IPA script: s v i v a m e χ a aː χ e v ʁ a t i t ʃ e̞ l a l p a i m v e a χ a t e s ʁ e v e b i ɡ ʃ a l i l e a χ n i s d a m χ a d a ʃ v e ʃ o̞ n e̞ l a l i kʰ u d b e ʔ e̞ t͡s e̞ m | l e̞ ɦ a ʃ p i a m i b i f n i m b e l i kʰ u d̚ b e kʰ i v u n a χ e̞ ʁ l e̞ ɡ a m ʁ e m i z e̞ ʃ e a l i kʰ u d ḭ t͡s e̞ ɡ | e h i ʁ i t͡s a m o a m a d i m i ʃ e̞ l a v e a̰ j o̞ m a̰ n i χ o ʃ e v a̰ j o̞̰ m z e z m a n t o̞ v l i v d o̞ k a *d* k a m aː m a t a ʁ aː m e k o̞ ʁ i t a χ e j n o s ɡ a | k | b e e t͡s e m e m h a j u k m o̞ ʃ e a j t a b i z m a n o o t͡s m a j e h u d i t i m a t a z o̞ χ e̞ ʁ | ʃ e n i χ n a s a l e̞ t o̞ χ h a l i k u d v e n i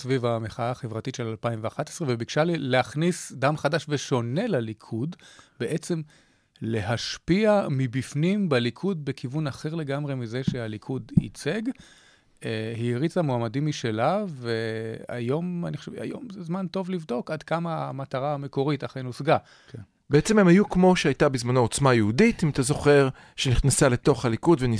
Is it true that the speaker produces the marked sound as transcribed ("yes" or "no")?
yes